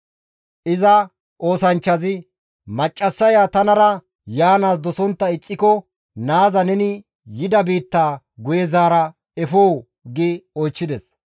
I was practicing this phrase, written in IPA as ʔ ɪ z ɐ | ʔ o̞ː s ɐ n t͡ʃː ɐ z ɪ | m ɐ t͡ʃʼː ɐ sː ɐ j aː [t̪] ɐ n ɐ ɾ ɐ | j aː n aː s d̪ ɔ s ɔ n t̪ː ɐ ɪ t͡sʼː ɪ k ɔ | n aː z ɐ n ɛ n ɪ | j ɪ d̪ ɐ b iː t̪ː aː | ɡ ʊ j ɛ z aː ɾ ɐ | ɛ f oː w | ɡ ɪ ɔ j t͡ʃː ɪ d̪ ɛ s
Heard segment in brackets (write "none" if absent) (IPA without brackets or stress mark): t̪